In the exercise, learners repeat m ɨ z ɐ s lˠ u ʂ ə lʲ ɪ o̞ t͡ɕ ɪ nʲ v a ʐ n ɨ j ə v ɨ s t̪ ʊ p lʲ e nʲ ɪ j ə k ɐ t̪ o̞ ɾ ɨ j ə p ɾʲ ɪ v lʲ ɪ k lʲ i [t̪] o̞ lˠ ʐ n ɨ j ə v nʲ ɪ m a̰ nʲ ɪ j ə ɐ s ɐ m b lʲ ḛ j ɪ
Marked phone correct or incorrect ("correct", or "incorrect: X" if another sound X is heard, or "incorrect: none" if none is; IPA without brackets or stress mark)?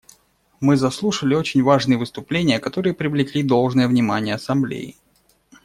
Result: incorrect: d̪